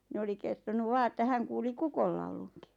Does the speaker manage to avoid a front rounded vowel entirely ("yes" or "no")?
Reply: yes